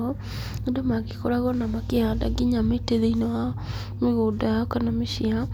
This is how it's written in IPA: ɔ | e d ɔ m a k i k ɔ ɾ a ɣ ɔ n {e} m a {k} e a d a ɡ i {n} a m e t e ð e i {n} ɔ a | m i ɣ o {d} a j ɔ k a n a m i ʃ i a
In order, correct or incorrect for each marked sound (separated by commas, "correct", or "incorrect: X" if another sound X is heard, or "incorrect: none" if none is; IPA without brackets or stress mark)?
incorrect: a, correct, incorrect: ɲ, correct, correct